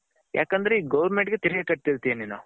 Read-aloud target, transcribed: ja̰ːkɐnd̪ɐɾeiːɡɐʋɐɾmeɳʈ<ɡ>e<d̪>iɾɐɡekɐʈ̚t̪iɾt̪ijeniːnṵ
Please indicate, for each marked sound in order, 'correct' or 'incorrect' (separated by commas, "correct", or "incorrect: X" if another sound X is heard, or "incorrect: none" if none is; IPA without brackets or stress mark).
correct, incorrect: t̪